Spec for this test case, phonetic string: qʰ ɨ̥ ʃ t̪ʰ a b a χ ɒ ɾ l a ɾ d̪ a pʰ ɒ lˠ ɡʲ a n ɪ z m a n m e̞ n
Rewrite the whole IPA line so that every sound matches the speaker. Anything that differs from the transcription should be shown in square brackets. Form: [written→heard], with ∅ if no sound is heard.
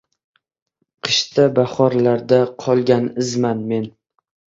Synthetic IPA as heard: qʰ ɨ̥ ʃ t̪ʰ a b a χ ɒ ɾ l a ɾ d̪ a [pʰ→qʰ] ɒ lˠ ɡʲ a n ɪ z m a n m e̞ n